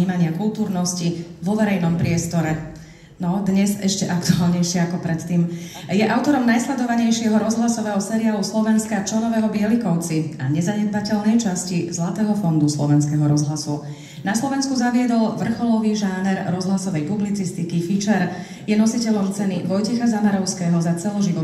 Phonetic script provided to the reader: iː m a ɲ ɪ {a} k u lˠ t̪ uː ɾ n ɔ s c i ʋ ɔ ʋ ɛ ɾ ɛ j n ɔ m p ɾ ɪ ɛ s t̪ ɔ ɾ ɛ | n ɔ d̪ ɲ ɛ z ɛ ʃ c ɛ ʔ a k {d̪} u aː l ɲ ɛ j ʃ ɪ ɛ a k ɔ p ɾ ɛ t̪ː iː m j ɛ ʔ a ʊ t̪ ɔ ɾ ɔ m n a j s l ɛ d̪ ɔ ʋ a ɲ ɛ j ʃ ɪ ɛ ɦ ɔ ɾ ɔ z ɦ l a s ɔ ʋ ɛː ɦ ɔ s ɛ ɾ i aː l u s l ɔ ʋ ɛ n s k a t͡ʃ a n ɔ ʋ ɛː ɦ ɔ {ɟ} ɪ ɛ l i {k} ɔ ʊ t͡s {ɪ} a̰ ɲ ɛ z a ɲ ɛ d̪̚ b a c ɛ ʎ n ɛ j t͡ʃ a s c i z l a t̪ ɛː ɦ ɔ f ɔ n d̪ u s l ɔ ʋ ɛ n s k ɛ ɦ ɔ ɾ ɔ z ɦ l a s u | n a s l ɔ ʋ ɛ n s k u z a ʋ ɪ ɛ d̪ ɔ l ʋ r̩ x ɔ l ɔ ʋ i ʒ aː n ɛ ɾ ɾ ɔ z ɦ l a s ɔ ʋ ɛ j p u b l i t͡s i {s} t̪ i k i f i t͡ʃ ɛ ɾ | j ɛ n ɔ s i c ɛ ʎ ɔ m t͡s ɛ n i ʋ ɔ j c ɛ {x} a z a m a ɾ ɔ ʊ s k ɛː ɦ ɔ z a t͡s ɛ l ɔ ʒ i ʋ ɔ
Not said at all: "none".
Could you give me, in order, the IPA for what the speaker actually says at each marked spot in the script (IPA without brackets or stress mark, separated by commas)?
a, t̪, b, k, i, s, x